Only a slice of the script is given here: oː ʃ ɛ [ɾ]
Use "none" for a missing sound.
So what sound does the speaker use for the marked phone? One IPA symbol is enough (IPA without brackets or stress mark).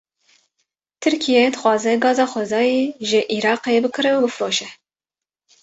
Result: none